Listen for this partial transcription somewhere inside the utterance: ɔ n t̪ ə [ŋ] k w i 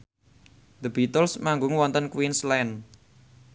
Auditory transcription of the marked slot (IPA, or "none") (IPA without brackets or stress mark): n